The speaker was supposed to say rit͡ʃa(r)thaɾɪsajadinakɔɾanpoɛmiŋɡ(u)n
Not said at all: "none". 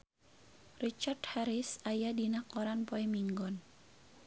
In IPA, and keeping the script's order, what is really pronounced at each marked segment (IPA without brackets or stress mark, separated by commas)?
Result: r, ɔ